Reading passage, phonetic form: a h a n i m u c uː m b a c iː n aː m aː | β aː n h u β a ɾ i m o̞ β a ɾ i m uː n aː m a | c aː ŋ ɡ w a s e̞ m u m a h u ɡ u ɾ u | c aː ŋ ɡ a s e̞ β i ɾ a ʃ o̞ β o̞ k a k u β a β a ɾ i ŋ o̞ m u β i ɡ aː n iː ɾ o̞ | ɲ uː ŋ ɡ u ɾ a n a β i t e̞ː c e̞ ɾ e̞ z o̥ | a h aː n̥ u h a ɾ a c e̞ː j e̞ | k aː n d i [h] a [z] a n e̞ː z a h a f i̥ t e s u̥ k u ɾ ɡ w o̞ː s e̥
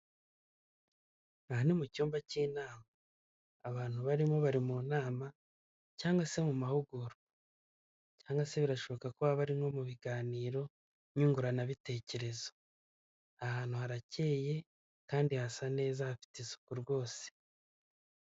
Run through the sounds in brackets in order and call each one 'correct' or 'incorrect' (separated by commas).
correct, incorrect